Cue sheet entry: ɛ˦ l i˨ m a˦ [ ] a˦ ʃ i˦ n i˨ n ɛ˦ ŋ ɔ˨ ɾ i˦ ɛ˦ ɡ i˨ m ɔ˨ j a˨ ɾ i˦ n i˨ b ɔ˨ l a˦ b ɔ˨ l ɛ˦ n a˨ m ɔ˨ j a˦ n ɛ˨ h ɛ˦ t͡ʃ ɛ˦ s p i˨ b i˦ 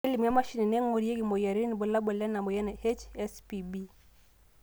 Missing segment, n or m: m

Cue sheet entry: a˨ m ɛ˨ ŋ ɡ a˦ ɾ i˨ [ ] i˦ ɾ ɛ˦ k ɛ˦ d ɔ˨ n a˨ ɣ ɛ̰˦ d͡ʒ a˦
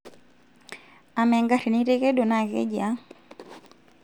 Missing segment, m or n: n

